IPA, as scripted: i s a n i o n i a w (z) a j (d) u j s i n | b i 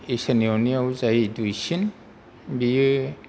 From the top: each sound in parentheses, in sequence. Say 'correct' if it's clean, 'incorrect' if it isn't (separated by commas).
correct, correct